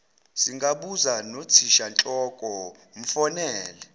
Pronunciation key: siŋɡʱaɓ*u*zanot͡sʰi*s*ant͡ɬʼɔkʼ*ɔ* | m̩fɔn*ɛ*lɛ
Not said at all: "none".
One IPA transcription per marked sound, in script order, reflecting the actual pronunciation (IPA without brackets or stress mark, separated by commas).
u, ʃ, ɔ, ɛː